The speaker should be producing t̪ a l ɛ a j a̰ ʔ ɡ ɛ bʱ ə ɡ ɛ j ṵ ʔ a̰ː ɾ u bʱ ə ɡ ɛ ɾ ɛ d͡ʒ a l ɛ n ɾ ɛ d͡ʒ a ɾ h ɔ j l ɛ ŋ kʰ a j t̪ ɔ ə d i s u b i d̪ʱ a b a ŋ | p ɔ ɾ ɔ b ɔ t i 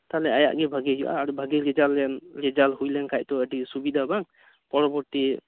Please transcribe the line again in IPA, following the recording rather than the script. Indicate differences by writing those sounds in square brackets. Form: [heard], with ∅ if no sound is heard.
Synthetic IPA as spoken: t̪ a l ɛ a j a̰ ʔ ɡ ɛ bʱ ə ɡ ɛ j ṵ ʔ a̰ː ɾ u bʱ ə ɡ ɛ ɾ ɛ d͡ʒ a l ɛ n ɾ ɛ d͡ʒ a [l] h [u] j l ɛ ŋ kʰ a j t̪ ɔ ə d i s u b i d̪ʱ a b a ŋ | p ɔ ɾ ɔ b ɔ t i